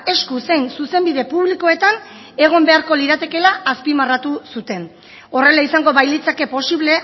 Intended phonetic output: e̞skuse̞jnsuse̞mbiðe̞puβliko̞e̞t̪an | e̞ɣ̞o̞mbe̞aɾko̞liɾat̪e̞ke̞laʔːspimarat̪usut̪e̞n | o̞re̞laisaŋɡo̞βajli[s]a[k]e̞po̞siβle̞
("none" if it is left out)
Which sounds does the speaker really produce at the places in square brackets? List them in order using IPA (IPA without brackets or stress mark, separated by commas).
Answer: t͡s, k